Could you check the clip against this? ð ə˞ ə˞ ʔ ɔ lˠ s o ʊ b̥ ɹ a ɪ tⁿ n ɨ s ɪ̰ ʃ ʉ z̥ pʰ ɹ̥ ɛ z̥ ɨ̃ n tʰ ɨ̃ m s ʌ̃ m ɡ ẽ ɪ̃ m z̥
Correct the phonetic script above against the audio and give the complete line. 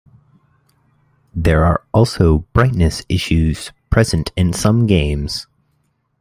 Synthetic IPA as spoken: ð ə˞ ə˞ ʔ ɔ lˠ s o ʊ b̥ ɹ a ɪ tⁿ n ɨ s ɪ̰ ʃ ʉ z̥ pʰ ɹ̥ ɛ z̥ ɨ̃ n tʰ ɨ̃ n s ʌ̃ m ɡ ẽ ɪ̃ m z̥